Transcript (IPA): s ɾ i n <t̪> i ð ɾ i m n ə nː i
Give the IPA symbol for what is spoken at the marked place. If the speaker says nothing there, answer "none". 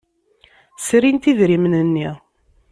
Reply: t̪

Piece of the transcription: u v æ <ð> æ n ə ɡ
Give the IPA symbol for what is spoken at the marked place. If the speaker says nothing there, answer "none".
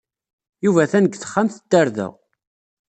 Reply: θ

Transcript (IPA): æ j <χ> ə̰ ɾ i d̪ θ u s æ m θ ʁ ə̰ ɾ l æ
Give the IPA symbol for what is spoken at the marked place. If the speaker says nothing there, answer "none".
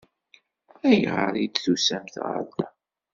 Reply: ʁ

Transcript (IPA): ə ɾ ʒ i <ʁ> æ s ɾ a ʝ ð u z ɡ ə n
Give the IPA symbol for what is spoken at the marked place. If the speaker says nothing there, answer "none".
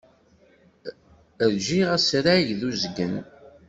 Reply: ʁ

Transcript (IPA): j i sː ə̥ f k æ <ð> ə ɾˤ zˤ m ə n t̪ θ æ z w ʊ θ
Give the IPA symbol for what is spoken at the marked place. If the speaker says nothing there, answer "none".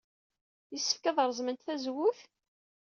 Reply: ð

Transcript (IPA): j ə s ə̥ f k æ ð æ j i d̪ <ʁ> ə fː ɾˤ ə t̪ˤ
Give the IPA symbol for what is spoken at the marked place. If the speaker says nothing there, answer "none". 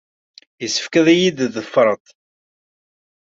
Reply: ð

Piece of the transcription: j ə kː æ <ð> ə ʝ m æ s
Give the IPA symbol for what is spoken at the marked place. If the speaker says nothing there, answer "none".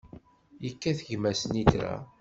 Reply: θ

